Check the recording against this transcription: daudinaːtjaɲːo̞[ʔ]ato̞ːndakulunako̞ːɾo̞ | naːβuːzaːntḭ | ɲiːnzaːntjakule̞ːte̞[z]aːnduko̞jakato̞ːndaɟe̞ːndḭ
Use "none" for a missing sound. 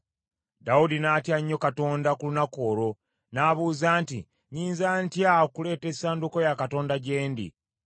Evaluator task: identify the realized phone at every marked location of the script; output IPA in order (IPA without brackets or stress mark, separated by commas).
k, s